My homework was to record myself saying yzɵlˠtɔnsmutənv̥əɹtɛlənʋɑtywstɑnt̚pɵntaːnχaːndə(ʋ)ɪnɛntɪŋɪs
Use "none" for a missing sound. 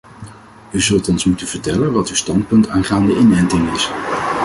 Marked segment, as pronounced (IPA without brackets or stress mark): none